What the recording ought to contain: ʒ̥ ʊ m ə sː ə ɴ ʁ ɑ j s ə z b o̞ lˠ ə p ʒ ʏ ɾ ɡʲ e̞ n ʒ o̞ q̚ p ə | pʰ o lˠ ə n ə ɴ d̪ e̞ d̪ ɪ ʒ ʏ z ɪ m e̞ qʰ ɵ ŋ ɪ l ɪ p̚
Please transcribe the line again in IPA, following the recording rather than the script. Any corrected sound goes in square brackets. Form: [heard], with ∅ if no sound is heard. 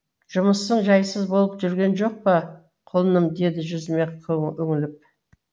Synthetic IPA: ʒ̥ ʊ m ə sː ə ɴ [ʒ] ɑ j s ə z b o̞ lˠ ə p ʒ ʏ ɾ ɡʲ e̞ n ʒ o̞ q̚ p ə | [qʰ] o lˠ ə n ə [m] d̪ e̞ d̪ ɪ ʒ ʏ z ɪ m e̞ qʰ ɵ ŋ ɪ l ɪ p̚